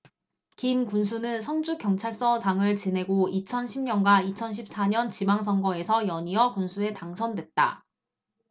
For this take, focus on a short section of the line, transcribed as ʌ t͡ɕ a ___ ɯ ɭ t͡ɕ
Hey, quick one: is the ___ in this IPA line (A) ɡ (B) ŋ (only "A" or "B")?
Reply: B